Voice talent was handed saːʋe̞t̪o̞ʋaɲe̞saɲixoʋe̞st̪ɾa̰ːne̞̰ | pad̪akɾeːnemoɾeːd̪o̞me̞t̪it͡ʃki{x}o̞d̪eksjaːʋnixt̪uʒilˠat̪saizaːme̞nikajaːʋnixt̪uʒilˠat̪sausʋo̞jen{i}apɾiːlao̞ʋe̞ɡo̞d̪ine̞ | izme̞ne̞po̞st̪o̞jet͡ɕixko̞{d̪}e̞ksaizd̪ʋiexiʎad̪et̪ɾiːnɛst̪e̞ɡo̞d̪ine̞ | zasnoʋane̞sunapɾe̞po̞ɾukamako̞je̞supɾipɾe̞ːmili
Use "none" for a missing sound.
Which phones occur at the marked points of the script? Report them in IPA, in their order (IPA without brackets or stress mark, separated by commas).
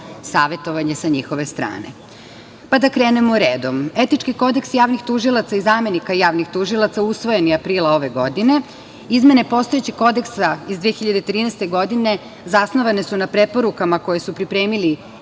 k, i, d̪